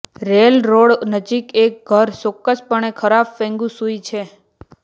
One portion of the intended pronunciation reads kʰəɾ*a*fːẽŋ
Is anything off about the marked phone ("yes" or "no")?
no